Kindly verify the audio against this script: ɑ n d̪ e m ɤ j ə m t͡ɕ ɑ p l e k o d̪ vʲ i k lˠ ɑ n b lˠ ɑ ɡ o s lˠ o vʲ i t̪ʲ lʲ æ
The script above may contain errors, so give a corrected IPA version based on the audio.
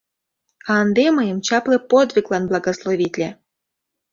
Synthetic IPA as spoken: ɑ n d̪ e m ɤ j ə m t͡ɕ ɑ p l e p o d̪ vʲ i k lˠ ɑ n b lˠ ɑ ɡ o s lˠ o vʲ i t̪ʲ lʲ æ